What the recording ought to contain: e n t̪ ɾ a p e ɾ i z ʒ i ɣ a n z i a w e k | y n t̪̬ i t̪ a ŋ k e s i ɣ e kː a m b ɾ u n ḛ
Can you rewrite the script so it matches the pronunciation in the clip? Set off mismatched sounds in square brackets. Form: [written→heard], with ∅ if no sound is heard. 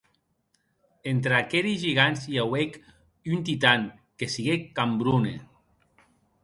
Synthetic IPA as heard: e n t̪ ɾ a [p→k] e ɾ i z ʒ i ɣ a n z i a w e k | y n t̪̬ i t̪ a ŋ k e s i ɣ e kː a m b ɾ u n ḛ